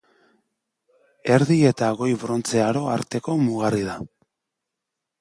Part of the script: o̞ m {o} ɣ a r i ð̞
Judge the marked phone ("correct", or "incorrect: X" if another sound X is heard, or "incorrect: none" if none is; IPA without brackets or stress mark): incorrect: u